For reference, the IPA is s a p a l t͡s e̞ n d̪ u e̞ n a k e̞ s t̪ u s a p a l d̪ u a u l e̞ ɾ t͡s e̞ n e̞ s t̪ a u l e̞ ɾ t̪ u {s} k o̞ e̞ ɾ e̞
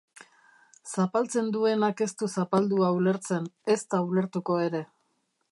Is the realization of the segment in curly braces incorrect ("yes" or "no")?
yes